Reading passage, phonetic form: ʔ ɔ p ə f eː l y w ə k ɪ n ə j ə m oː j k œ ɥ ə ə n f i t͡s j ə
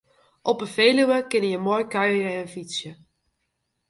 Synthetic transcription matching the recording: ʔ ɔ p ə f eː l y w ə k ɪ n ə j ə m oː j k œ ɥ ə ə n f i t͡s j ə